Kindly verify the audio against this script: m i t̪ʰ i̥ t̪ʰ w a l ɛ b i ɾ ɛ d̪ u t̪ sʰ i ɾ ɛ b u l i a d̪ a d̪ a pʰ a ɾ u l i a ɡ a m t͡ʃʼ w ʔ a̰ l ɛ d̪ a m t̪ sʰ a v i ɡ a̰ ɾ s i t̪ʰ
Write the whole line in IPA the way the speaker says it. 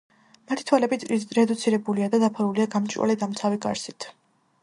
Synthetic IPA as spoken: m a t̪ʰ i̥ t̪ʰ w a l ɛ b i ɾ ɛ d̪ u t̪ sʰ i ɾ ɛ b u l i a d̪ a d̪ a pʰ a ɾ u l i a ɡ a m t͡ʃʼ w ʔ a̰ l ɛ d̪ a m t̪ sʰ a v i ɡ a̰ ɾ s i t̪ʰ

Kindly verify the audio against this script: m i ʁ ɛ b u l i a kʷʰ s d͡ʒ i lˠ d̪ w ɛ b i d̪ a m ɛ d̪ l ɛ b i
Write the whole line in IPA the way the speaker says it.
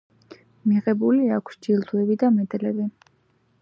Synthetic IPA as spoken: m i ʁ ɛ b u l i a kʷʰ s d͡ʒ i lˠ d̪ w ɛ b i d̪ a m ɛ d̪ l ɛ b i

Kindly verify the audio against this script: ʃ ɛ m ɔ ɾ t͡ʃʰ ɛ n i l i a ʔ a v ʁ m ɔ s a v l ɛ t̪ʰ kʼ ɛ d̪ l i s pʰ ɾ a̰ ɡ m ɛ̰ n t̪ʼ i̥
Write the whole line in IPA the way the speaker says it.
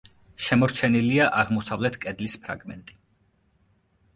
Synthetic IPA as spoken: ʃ ɛ m ɔ ɾ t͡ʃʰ ɛ n i l i a ʔ a ʁ m ɔ s a v l ɛ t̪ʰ kʼ ɛ d̪ l i s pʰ ɾ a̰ ɡ m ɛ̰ n t̪ʼ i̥

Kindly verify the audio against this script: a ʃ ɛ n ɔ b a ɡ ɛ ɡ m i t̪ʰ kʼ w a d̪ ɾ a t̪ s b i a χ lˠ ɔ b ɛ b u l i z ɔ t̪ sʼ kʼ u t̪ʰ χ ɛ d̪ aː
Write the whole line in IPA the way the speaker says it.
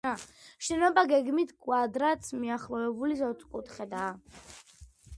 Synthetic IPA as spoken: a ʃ ɛ n ɔ b a ɡ ɛ ɡ m i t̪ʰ kʼ w a d̪ ɾ a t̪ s m i a χ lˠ ɔ v ɛ b u l i z ɔ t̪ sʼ kʼ u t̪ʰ χ ɛ d̪ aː

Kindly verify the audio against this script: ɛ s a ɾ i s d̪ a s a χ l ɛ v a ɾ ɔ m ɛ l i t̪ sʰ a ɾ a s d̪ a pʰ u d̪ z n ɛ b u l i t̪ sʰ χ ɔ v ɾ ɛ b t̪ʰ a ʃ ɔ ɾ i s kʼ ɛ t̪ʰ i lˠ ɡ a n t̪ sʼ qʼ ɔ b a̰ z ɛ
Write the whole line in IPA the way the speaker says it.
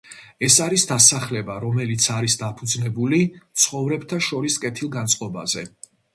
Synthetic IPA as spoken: ɛ s a ɾ i s d̪ a s a χ l ɛ b a ɾ ɔ m ɛ l i t̪ sʰ a ɾ i s d̪ a pʰ u d̪ z n ɛ b u l i t̪ sʰ χ ɔ v ɾ ɛ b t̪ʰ a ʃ ɔ ɾ i s kʼ ɛ t̪ʰ i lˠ ɡ a n t̪ sʼ qʼ ɔ b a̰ z ɛ

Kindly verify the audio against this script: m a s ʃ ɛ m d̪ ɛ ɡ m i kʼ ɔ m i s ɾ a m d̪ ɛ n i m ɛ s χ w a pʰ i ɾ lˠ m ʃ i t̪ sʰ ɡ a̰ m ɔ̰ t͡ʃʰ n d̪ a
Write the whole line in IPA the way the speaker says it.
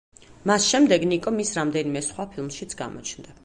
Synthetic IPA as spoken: m a s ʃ ɛ m d̪ ɛ ɡ n i kʼ ɔ m i s ɾ a m d̪ ɛ n i m ɛ s χ w a pʰ i lˠ m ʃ i t̪ sʰ ɡ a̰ m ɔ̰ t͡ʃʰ n d̪ a

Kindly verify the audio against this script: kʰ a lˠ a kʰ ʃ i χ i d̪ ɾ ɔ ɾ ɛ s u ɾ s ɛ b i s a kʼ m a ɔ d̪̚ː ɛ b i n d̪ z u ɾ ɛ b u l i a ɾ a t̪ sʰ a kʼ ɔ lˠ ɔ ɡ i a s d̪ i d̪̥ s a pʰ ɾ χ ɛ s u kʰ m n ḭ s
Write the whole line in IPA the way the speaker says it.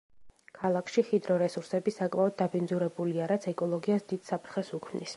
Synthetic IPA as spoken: kʰ a lˠ a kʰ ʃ i χ i d̪ ɾ ɔ ɾ ɛ s u ɾ s ɛ b i s a kʼ m a ɔ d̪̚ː a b i n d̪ z u ɾ ɛ b u l i a ɾ a t̪ sʰ ɛ kʼ ɔ lˠ ɔ ɡ i a s d̪ i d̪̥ s a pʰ ɾ χ ɛ s u kʰ m n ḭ s

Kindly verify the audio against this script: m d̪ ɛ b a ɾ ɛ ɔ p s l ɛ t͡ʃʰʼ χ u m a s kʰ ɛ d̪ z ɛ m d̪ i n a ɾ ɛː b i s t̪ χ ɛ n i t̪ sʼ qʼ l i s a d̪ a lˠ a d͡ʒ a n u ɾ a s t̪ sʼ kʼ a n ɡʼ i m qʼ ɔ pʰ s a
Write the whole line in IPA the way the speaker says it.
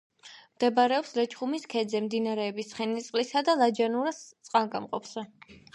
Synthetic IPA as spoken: m d̪ ɛ b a ɾ ɛ ɔ p s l ɛ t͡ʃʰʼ χ u m i s kʰ ɛ d̪ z ɛ m d̪ i n a ɾ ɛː b i s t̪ χ ɛ n i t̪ sʼ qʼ l i s a d̪ a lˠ a d͡ʒ a n u ɾ a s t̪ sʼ qʼ a n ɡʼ a m qʼ ɔ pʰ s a

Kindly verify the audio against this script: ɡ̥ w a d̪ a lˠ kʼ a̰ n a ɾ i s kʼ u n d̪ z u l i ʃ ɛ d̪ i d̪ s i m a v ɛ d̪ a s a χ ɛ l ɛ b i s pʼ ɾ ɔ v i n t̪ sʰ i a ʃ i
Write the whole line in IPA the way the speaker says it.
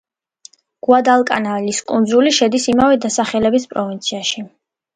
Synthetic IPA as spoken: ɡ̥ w a d̪ a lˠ kʼ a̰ n a l i s kʼ u n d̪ z u l i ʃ ɛ d̪ i s i m a v ɛ d̪ a s a χ ɛ l ɛ b i s pʼ ɾ ɔ v i n t̪ sʰ i a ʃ i

